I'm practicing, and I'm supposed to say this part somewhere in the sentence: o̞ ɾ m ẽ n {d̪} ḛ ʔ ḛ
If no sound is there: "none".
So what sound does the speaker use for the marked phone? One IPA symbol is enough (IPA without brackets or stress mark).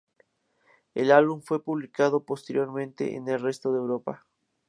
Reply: t̪